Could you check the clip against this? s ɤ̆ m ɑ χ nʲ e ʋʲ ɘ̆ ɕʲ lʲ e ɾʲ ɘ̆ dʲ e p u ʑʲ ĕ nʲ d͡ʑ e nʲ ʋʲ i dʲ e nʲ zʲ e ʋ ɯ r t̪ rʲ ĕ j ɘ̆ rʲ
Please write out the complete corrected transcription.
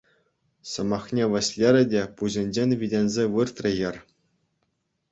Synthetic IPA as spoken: s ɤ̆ m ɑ χ nʲ e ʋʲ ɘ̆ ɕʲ lʲ e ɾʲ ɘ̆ dʲ e p u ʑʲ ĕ nʲ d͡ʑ e nʲ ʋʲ i dʲ e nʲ zʲ e ʋ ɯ r t̪ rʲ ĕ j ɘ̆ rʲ